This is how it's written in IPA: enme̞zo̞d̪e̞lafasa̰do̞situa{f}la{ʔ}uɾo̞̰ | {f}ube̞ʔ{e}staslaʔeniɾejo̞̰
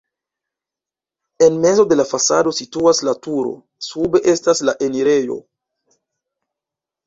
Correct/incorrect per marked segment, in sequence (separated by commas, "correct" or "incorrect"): incorrect, incorrect, incorrect, correct